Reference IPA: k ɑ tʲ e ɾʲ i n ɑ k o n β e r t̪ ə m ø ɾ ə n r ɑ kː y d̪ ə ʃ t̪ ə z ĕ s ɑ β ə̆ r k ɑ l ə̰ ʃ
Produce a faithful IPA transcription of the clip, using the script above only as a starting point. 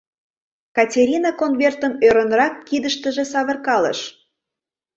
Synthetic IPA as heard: k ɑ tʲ e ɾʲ i n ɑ k o n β e r t̪ ə m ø ɾ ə n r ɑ kː i d̪ ə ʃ t̪ ə ʒ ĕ s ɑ β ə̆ r k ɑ l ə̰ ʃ